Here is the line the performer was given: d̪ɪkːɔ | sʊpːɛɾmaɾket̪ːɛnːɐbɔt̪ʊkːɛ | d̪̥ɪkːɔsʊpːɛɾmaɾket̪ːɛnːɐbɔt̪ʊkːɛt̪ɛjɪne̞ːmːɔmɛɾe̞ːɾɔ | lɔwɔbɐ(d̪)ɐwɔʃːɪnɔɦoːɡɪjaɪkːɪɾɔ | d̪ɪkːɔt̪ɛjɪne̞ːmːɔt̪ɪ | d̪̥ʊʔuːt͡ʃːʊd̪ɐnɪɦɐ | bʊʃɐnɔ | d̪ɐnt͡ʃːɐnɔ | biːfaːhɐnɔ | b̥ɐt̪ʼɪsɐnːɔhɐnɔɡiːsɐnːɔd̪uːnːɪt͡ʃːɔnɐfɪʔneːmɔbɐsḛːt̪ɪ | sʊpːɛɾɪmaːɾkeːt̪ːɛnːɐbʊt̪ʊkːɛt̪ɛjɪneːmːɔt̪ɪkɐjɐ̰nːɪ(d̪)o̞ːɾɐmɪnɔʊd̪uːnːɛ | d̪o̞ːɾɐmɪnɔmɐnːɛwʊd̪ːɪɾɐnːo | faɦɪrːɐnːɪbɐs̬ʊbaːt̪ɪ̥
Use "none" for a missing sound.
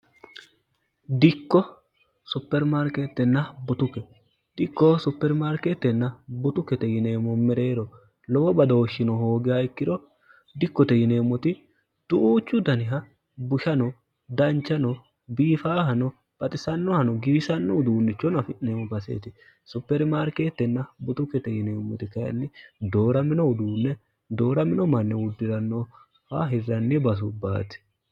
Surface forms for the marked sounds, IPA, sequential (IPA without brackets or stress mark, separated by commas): d̪, d̪